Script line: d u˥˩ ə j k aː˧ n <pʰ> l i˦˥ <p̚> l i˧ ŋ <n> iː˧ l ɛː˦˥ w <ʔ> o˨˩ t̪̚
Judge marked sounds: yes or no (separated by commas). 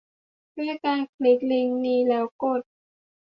no, no, yes, no